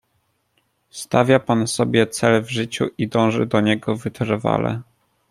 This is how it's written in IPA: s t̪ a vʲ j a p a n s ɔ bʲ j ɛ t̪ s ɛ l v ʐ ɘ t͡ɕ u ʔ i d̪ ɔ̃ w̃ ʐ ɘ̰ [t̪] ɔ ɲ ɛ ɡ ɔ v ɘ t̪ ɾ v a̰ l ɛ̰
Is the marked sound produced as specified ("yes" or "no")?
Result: no